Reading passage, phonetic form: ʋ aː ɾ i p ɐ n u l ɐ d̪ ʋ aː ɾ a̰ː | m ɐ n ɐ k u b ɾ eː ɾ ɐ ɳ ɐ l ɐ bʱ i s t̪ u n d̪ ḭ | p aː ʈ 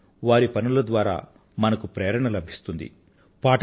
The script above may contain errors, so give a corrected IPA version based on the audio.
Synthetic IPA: ʋ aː ɾ i p ɐ n u l ɐ d̪ ʋ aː ɾ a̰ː | m ɐ n ɐ k u p ɾ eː ɾ ɐ ɳ ɐ l ɐ bʱ i s t̪ u n d̪ ḭ | p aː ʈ